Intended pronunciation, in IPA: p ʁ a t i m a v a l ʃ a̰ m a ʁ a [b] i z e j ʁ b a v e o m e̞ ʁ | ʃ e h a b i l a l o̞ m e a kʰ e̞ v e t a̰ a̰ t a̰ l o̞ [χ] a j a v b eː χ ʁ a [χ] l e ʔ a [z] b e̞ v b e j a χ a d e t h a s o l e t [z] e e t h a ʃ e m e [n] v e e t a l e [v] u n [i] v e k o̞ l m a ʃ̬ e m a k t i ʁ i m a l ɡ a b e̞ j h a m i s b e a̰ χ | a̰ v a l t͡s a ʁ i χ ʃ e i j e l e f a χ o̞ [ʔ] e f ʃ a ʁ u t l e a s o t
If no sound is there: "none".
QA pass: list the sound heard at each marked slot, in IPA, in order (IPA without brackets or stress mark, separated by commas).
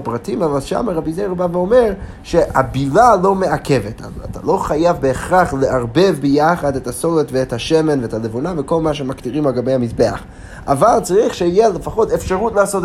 b, χ, χ, ʁ, v, n, v, a, t